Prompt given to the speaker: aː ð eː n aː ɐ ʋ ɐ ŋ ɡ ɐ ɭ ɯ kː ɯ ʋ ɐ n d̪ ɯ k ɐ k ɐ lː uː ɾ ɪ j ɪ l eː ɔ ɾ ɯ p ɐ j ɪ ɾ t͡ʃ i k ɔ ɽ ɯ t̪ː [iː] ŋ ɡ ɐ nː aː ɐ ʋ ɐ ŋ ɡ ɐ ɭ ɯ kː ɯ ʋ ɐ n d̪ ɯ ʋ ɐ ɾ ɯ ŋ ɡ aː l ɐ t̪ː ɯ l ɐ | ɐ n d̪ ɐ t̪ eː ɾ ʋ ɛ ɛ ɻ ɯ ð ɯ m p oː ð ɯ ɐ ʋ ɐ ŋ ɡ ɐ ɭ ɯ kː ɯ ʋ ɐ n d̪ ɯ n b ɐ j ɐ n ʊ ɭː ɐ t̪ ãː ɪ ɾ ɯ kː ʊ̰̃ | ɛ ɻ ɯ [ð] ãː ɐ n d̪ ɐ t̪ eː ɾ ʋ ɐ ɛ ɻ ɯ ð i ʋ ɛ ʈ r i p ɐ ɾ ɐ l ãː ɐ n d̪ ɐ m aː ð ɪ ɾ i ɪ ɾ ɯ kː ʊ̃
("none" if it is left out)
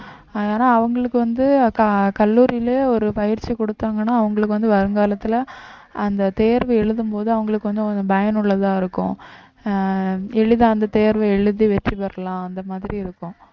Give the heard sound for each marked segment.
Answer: aː, ð

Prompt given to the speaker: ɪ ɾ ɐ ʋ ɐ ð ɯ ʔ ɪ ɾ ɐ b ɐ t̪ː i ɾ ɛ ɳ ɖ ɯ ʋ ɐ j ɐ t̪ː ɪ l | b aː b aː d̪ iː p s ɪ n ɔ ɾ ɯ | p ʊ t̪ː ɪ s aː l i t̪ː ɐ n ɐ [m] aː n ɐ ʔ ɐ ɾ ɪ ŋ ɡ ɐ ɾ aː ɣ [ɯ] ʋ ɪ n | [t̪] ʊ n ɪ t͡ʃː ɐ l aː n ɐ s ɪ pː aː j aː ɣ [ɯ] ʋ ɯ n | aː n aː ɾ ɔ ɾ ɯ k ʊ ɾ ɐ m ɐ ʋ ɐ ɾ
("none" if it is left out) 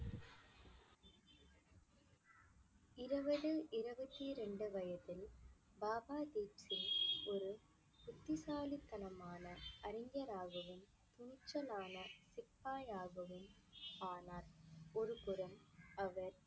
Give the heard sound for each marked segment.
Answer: m, ɯ, t̪, ɯ

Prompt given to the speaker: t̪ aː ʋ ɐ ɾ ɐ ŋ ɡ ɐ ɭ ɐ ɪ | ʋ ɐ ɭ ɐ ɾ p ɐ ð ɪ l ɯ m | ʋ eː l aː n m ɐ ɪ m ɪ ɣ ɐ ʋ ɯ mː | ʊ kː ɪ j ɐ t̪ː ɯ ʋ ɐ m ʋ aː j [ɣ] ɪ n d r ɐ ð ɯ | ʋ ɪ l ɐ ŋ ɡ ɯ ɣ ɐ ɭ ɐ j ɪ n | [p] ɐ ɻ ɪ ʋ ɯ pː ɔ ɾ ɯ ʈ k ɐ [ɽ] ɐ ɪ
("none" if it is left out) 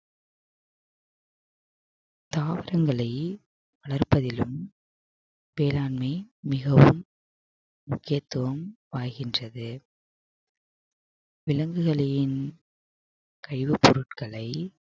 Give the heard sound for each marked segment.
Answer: ɣ, k, ɭ

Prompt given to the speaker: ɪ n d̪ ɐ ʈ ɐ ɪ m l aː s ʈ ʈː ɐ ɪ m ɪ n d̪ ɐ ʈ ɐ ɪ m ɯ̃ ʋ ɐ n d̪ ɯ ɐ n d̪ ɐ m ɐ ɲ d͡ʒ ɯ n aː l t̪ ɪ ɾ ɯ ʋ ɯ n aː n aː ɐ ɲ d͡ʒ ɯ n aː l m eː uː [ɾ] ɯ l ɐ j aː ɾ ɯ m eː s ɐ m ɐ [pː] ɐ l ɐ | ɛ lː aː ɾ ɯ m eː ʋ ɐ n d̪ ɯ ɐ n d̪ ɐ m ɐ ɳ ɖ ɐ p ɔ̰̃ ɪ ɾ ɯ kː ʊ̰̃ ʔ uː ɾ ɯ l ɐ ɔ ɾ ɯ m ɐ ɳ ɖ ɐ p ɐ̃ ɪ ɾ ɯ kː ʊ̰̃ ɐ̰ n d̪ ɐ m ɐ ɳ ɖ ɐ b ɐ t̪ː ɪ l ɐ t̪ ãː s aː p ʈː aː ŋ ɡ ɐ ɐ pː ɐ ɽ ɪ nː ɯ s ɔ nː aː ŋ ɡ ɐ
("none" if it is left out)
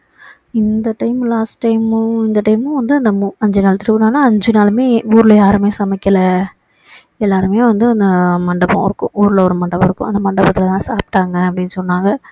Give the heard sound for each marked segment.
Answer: ɾ, kː

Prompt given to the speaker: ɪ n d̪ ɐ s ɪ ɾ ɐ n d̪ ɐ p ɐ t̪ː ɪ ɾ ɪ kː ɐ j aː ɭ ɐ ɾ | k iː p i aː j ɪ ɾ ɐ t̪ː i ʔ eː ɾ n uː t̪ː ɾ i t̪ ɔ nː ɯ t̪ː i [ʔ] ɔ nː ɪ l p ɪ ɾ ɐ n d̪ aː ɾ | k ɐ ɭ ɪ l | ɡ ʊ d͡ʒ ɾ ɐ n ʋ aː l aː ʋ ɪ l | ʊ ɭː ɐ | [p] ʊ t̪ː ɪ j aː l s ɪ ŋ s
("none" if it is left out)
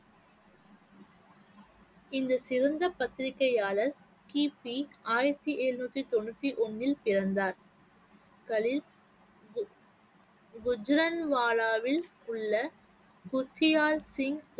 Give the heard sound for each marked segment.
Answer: ʔ, k

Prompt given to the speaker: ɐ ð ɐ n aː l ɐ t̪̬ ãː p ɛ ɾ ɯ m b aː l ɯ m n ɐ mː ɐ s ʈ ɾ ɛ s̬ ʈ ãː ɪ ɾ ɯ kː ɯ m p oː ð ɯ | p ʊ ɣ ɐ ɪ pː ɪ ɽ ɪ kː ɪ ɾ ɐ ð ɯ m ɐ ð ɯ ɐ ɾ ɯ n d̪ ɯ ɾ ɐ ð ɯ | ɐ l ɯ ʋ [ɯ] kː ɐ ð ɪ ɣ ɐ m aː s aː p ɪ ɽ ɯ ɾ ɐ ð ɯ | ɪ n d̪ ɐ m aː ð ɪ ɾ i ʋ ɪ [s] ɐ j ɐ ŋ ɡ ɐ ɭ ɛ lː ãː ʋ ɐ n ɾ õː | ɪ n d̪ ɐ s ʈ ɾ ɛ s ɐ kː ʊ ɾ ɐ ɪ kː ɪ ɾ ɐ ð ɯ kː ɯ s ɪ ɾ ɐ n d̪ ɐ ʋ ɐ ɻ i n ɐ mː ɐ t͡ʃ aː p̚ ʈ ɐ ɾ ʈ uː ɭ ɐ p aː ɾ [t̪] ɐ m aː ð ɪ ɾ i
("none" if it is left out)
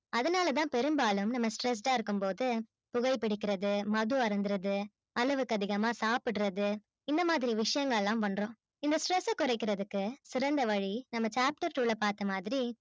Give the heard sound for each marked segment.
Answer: ɯ, ʂ, t̪

